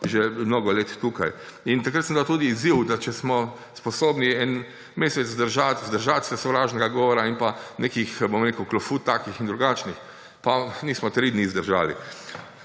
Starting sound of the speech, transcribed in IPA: ʒ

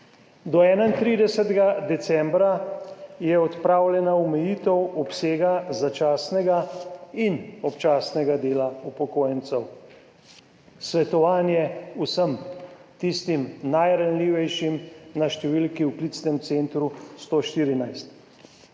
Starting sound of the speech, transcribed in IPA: d̪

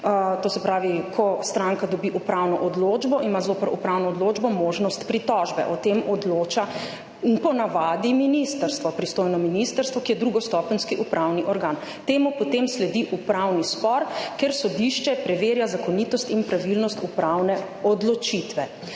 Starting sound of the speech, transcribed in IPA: t̪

